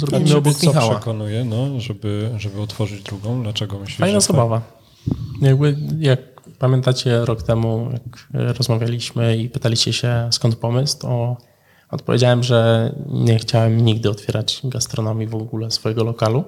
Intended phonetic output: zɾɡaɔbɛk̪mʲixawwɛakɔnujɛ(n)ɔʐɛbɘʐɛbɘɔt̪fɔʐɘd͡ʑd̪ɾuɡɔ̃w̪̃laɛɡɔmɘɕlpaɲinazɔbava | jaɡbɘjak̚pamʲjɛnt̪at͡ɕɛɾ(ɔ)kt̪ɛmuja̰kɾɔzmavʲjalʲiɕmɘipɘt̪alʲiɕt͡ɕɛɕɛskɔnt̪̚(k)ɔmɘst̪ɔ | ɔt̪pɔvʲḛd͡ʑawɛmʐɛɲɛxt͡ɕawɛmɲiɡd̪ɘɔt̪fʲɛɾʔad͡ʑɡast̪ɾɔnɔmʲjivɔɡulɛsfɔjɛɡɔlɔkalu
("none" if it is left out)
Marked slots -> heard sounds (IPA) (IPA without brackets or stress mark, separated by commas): n, ɔ, p